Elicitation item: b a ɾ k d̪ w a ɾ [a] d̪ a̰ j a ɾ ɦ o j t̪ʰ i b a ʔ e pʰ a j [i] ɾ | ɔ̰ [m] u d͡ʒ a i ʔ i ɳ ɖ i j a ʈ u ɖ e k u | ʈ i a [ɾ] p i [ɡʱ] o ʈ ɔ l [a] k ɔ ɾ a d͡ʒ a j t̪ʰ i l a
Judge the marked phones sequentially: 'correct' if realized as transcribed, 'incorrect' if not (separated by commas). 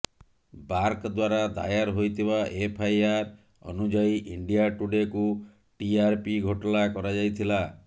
correct, incorrect, incorrect, correct, correct, correct